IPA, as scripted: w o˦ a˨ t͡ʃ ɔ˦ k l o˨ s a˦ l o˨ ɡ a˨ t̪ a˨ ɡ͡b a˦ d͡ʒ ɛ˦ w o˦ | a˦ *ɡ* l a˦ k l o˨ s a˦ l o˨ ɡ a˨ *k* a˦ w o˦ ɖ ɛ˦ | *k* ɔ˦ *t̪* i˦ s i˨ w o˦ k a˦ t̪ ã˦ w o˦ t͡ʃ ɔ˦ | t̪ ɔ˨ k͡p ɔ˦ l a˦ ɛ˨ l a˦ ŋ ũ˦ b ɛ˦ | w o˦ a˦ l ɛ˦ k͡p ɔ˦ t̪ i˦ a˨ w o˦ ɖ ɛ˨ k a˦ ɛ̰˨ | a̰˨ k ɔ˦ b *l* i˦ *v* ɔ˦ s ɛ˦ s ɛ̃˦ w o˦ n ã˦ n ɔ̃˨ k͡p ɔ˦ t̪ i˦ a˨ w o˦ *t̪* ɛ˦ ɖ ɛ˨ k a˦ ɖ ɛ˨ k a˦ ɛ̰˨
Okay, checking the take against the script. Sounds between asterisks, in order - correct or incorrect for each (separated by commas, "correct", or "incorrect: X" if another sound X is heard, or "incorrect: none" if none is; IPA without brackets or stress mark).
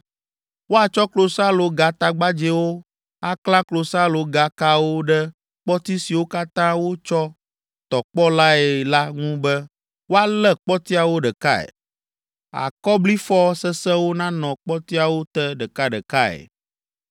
incorrect: k, correct, incorrect: k͡p, correct, correct, incorrect: f, correct